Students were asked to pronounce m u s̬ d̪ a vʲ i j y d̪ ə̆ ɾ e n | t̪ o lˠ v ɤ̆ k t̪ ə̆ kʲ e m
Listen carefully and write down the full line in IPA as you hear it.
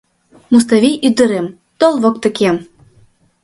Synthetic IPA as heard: m u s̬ t̪ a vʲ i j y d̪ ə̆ ɾ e m | t̪ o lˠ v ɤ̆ k t̪ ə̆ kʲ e m